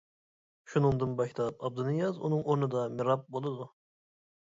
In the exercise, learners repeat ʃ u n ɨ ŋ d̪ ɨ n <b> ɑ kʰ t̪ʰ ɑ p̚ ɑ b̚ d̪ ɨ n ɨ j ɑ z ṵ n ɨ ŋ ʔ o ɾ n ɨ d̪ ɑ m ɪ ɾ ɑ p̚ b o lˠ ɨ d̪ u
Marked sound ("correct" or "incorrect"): correct